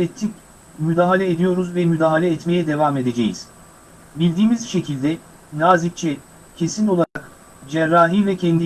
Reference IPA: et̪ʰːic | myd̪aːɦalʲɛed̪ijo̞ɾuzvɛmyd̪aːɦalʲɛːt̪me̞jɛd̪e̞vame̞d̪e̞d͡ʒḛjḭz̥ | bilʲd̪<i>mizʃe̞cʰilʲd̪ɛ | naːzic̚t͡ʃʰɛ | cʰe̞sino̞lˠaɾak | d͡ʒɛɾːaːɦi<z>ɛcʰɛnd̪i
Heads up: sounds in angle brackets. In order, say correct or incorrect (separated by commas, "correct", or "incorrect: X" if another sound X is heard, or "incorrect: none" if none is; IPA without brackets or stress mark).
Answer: incorrect: iː, incorrect: v